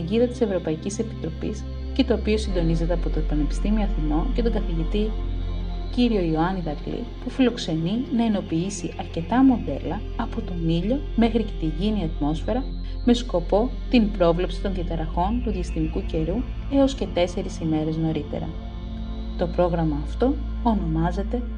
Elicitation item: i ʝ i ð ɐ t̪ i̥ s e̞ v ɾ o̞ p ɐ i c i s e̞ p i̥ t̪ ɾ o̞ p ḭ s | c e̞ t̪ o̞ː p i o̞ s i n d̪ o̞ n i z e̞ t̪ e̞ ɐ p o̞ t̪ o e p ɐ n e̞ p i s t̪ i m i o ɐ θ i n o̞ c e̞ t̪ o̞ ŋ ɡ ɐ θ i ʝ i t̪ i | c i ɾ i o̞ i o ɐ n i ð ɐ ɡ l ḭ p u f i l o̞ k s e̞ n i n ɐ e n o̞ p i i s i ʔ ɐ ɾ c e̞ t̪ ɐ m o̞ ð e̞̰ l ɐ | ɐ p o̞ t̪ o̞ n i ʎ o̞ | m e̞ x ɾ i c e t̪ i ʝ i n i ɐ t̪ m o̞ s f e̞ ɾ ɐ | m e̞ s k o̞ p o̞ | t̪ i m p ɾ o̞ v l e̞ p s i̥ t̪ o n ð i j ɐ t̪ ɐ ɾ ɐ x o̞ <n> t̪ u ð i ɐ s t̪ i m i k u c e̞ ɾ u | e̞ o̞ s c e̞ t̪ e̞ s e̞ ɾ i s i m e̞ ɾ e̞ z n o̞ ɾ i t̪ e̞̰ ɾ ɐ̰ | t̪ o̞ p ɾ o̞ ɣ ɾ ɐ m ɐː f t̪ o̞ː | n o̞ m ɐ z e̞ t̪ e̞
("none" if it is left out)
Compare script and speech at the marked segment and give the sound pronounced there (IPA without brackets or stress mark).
n